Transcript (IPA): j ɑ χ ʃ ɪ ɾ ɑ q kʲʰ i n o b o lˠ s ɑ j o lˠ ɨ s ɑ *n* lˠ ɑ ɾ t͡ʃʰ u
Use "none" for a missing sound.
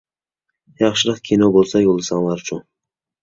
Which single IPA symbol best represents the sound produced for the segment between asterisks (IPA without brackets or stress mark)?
ŋ